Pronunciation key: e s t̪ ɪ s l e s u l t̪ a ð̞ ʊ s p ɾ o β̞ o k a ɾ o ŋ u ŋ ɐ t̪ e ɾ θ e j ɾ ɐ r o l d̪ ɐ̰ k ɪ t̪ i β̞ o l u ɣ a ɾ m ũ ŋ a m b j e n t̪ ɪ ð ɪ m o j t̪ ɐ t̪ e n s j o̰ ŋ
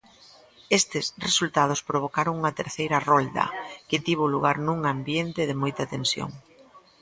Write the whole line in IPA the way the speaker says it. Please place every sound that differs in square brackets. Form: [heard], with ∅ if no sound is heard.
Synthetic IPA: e s t̪ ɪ s [r] e s u l t̪ a ð̞ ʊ s p ɾ o β̞ o k a ɾ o ŋ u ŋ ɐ t̪ e ɾ θ e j ɾ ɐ r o l d̪ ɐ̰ k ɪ t̪ i β̞ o l u ɣ a ɾ [n] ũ ŋ a m b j e n t̪ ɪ ð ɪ m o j t̪ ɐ t̪ e n s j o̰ ŋ

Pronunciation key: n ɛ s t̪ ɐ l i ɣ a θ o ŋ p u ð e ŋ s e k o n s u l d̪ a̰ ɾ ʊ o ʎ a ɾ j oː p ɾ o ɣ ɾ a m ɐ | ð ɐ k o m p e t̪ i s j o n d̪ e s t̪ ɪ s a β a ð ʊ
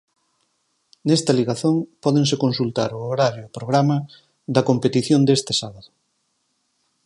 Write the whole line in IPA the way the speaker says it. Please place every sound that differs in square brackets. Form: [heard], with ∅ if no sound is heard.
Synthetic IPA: n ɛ s t̪ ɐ l i ɣ a θ o ŋ p [ɔ] ð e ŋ s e k o n s u l [t̪] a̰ ɾ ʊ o [ɾ] a ɾ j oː p ɾ o ɣ ɾ a m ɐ | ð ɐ k o m p e t̪ i [θ] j o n d̪ e s t̪ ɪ s a β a ð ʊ

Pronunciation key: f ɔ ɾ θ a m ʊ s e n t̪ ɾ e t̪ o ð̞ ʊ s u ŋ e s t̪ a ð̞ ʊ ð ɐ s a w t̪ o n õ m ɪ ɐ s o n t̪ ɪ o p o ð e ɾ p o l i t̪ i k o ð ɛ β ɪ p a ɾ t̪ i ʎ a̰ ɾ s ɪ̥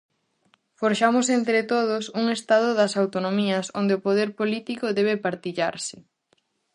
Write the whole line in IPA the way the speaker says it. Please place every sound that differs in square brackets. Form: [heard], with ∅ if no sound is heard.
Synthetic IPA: f [o] ɾ [ʃ] a m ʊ s e n t̪ ɾ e t̪ o ð̞ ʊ s u ŋ e s t̪ a ð̞ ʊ ð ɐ s a w t̪ o n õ m [i] ɐ s o n [d̪] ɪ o p o ð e ɾ p o l i t̪ i k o ð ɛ β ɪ p a ɾ t̪ i ʎ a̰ ɾ s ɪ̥

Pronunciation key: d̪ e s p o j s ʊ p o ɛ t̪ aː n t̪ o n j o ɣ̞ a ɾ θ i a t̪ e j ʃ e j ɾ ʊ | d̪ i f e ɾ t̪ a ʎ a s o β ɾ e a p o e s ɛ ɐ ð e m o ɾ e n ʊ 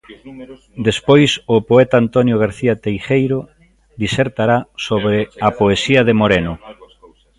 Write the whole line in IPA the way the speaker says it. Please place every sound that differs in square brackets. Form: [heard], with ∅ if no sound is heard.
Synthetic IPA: d̪ e s p o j s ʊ p o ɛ t̪ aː n t̪ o n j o ɣ̞ a ɾ θ i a t̪ e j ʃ e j ɾ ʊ | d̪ i [s] e ɾ t̪ a [ɾ] a s o β ɾ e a p o e s [i] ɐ ð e m o ɾ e n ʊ

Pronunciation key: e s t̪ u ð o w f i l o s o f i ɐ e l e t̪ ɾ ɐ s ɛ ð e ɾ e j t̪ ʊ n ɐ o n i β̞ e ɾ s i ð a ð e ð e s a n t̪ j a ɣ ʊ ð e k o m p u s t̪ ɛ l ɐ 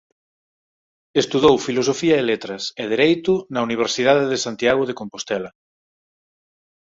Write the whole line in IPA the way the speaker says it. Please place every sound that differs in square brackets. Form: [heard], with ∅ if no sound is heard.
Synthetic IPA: e s t̪ u ð o w f i l o s o f i ɐ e l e t̪ ɾ ɐ s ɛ ð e ɾ e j t̪ ʊ n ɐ [u] n i β̞ e ɾ s i ð a ð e ð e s a n t̪ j a ɣ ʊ ð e k o m p [o] s t̪ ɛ l ɐ

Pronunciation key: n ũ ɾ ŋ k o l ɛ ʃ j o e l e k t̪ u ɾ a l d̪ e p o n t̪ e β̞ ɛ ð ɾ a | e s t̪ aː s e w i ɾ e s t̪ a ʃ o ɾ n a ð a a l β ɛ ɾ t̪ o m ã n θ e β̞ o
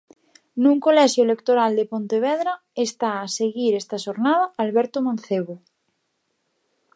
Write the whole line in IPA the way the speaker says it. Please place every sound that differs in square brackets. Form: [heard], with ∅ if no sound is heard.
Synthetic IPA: n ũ [∅] ŋ k o l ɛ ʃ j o e l e k t̪ [o] ɾ a l d̪ e p o n t̪ e β̞ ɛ ð ɾ a | e s t̪ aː s e [ɣ] i ɾ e s t̪ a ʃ o ɾ n a ð a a l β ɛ ɾ t̪ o m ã n θ e β̞ o

